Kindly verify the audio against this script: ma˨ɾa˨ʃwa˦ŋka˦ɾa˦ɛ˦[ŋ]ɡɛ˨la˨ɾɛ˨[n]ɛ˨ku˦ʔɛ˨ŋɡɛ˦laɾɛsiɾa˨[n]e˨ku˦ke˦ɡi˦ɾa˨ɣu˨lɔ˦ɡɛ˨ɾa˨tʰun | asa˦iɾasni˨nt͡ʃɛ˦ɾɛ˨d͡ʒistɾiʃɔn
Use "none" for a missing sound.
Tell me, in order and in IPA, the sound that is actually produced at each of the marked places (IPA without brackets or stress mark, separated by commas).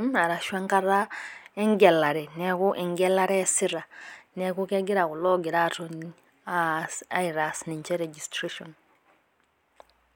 ŋ, n, n